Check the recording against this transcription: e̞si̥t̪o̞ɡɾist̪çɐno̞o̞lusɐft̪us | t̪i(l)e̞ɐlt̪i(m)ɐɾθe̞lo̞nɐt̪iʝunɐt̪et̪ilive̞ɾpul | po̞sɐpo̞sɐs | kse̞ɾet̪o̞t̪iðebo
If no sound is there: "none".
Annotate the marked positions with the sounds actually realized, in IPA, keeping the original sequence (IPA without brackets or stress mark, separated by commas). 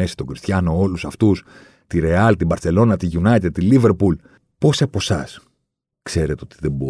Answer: ɾ, b